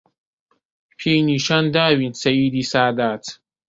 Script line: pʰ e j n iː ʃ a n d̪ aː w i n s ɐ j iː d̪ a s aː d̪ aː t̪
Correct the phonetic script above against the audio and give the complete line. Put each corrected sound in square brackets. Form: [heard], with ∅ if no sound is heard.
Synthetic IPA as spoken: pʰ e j n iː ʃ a n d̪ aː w i n s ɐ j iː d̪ [i] s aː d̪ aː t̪